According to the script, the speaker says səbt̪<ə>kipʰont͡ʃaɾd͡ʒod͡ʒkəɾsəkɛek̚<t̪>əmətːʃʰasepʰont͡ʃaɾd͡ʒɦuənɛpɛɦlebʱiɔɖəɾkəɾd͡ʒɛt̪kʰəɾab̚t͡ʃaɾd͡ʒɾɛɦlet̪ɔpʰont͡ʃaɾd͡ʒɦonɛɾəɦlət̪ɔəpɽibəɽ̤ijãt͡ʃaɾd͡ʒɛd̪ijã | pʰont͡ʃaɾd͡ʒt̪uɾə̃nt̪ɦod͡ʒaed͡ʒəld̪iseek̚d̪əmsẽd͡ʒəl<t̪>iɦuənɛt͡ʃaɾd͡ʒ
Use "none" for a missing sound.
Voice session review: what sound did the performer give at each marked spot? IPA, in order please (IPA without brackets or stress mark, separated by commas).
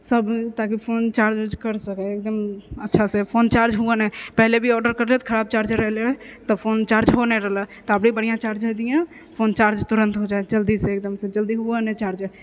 a, d̪, d̪